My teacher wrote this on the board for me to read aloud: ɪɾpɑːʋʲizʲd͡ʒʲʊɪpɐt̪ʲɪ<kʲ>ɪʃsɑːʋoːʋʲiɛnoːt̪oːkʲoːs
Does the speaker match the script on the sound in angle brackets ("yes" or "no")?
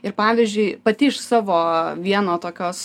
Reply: no